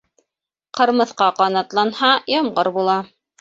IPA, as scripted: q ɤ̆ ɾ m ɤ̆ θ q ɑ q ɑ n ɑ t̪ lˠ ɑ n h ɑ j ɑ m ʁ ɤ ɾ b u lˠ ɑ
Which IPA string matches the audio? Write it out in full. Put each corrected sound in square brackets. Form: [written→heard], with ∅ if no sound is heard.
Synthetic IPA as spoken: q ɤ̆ ɾ m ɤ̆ θ q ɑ q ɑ n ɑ t̪ lˠ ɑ n h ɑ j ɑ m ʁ ɤ ɾ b u lˠ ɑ